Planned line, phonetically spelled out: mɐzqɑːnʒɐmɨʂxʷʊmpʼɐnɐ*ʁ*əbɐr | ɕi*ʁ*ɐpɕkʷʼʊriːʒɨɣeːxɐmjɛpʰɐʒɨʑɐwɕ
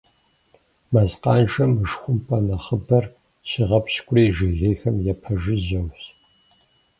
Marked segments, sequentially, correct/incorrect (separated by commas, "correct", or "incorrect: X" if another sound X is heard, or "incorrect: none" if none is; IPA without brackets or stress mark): incorrect: χ, correct